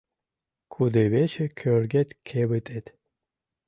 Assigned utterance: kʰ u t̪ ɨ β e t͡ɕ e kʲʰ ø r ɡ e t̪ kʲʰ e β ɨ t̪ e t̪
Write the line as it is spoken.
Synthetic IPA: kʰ u d̪ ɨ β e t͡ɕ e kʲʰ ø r ɡ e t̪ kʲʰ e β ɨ t̪ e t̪